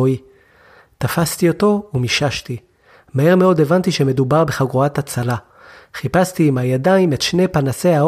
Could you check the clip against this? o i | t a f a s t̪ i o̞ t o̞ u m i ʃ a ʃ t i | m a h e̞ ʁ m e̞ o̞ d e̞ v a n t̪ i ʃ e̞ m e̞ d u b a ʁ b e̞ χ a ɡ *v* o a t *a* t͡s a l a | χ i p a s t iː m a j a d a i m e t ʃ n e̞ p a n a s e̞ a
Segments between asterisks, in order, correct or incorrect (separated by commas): incorrect, correct